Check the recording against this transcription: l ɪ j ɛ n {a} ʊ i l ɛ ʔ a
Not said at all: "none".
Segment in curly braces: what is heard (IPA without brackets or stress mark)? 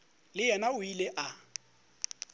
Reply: a